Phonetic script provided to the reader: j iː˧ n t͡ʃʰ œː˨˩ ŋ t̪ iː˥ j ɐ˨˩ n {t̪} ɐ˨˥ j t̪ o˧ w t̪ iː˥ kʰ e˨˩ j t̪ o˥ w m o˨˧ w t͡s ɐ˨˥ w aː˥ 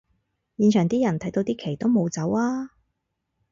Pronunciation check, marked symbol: incorrect: t̪ʰ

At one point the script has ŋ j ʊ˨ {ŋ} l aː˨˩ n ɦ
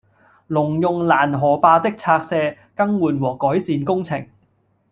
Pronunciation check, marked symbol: correct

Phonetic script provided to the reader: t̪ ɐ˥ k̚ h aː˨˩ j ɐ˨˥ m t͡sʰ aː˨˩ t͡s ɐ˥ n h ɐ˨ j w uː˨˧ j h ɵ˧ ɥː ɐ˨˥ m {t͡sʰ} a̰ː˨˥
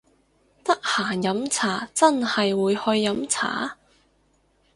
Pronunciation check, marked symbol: correct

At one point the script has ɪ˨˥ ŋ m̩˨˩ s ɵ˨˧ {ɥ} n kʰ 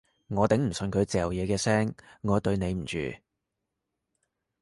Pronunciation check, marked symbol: incorrect: none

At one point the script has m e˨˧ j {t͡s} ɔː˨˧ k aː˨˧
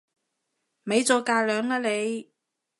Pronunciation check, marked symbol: correct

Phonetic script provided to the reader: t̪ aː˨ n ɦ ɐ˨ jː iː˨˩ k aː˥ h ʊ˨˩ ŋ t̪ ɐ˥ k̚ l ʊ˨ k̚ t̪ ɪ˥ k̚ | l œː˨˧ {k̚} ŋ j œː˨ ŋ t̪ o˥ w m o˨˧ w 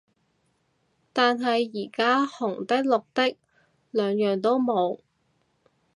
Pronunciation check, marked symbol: incorrect: none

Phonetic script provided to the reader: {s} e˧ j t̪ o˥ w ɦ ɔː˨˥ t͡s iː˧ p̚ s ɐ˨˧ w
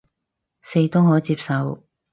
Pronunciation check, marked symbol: correct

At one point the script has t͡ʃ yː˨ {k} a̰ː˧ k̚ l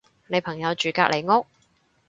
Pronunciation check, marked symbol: correct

